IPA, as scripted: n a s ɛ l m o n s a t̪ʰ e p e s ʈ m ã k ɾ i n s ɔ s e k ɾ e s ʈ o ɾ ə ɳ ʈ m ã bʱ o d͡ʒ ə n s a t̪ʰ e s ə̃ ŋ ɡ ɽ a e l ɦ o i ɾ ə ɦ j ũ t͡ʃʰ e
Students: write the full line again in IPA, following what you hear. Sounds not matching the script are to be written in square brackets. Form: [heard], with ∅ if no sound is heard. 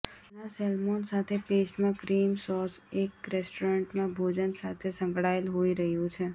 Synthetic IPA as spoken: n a s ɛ l m o n s a t̪ʰ e p e s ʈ m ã k ɾ i [m] s ɔ s e k ɾ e s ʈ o ɾ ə ɳ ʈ m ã bʱ o d͡ʒ ə n s a t̪ʰ e s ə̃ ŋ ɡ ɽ a e l ɦ o i ɾ ə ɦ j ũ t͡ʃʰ e